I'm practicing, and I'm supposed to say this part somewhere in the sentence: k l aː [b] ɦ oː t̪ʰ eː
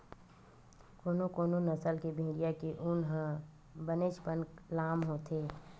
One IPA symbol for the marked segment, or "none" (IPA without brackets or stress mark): m